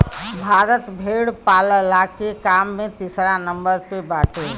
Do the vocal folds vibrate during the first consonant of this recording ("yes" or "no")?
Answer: yes